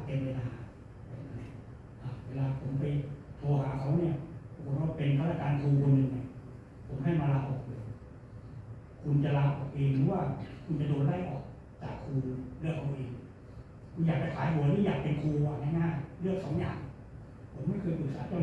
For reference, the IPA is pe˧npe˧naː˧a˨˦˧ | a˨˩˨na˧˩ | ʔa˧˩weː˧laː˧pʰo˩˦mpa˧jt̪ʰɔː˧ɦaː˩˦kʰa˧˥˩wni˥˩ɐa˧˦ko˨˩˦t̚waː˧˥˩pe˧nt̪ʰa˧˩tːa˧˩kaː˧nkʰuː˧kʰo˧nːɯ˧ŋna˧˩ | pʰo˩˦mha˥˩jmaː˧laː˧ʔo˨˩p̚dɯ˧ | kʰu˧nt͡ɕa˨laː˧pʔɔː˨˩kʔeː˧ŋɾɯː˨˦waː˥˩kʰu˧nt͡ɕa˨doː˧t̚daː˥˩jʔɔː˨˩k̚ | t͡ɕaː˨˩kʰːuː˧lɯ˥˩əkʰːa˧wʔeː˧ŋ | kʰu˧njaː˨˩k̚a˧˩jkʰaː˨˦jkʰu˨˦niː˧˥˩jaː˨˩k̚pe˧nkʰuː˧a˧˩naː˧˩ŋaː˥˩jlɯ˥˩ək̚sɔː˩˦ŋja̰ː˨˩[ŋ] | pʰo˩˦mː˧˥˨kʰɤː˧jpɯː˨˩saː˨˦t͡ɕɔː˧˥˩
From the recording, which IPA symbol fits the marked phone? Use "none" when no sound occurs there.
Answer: ŋ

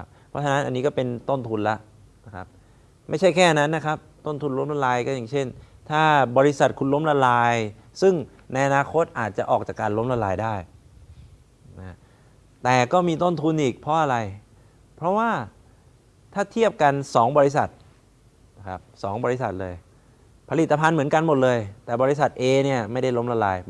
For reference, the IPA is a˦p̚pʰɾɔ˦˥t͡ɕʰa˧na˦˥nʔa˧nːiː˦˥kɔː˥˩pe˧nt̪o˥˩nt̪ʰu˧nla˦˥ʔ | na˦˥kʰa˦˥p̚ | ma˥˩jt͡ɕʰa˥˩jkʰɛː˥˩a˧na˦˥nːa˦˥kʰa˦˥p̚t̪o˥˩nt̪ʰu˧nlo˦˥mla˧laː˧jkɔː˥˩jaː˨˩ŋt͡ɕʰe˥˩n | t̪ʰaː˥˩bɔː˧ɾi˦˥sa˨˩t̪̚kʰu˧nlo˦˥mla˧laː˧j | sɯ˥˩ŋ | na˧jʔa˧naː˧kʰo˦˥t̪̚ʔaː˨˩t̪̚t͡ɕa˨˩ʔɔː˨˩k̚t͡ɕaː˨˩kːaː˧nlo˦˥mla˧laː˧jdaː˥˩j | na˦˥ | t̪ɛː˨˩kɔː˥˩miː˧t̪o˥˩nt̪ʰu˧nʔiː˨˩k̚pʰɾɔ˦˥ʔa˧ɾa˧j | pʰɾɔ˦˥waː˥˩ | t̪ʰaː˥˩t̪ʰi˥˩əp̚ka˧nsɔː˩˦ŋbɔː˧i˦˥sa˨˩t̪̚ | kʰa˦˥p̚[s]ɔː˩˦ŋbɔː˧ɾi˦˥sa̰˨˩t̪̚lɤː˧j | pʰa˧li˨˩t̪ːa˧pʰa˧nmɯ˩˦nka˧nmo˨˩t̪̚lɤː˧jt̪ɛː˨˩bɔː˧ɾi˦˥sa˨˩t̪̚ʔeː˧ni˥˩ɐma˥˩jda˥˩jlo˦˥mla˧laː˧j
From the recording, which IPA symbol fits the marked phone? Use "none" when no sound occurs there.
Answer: s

